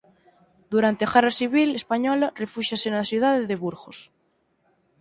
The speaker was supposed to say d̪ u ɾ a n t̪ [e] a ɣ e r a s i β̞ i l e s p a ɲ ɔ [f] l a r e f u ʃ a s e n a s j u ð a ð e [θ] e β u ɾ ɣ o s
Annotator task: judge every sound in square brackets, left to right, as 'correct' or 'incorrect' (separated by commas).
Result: correct, incorrect, incorrect